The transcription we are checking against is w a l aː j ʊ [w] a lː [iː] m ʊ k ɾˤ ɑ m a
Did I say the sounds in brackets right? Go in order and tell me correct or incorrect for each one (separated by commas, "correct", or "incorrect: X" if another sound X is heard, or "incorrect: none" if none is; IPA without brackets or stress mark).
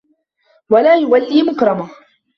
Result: correct, correct